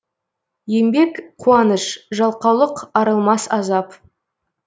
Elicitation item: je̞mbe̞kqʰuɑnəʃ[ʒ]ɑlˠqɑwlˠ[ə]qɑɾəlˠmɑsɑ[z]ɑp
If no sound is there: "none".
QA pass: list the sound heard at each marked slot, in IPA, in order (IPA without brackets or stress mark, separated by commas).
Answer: ʒ, ə, z